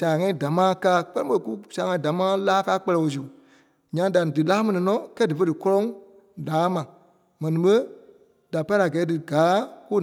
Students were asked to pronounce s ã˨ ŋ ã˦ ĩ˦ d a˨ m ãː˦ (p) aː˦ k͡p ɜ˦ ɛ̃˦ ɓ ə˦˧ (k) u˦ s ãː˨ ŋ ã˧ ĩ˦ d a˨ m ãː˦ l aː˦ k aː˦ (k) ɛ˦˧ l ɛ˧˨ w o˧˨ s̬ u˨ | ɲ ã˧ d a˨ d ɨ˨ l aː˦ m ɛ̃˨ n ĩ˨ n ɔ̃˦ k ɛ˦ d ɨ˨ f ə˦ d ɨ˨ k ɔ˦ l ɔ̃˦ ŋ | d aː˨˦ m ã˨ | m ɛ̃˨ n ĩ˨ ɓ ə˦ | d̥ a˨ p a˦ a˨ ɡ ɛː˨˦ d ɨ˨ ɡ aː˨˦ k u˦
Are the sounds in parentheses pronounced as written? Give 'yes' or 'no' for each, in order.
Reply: no, yes, no

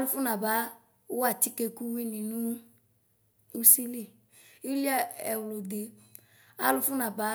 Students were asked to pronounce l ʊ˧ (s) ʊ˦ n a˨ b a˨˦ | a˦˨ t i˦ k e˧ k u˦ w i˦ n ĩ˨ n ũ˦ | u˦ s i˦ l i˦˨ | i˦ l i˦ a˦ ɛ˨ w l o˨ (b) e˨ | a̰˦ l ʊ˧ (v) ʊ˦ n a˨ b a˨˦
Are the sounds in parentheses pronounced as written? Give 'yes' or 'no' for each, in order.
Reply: no, no, no

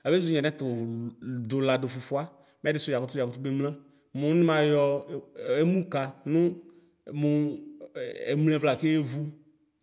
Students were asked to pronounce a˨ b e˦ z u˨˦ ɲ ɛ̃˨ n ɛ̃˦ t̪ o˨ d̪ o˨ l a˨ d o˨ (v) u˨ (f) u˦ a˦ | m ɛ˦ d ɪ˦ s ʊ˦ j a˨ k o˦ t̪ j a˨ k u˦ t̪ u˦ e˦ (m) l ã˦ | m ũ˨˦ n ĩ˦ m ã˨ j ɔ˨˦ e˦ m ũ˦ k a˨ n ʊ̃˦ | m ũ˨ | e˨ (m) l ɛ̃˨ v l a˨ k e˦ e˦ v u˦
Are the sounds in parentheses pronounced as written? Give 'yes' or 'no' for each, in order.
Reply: no, yes, yes, yes

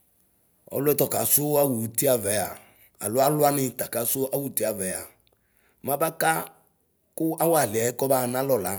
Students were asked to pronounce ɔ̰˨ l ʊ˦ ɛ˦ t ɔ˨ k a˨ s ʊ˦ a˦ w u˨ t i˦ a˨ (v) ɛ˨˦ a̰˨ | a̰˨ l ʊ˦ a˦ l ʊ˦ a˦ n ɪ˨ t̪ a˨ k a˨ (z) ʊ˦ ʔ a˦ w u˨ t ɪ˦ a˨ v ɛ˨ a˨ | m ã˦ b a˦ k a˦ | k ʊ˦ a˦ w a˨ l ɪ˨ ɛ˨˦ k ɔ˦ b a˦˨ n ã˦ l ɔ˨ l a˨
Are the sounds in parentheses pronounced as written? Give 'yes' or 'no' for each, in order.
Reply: yes, no

